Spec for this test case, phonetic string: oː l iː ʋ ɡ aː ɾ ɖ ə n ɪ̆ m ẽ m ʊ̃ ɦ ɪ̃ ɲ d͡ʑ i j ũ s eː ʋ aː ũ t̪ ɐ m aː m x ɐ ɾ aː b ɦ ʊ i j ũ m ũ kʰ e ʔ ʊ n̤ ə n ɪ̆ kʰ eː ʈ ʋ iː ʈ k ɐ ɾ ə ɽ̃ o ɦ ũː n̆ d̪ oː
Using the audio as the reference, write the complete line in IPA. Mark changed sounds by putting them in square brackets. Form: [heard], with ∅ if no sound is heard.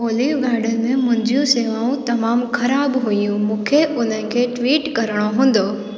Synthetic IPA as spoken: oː l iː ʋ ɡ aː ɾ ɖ ə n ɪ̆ m ẽ m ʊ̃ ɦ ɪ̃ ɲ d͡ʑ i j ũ s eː ʋ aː ũ t̪ ɐ m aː m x ɐ ɾ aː b ɦ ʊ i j ũ m [ũː] kʰ e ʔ ʊ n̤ ə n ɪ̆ kʰ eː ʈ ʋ iː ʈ k ɐ ɾ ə ɽ̃ o ɦ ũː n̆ d̪ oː